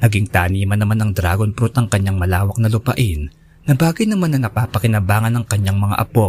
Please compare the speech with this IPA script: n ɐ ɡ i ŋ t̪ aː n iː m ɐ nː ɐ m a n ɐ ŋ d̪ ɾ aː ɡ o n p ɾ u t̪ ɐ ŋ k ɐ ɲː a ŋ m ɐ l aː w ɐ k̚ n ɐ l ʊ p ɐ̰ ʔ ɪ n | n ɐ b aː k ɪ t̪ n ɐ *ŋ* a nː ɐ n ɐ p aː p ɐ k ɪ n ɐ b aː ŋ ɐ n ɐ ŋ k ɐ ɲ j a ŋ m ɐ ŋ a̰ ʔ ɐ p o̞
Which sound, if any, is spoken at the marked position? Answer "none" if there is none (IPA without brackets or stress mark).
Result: m